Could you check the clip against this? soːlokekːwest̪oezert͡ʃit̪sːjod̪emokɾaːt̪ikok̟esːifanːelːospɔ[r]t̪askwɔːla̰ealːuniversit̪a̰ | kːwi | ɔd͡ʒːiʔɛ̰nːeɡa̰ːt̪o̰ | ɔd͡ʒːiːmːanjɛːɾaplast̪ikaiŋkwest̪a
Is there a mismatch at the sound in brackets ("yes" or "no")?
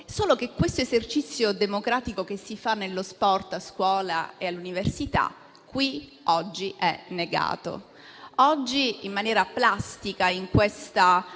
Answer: no